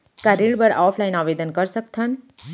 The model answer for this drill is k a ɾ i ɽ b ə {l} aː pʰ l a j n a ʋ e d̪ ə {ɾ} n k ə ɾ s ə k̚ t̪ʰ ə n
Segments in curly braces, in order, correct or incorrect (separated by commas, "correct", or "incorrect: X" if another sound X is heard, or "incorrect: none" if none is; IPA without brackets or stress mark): incorrect: ɾ, incorrect: none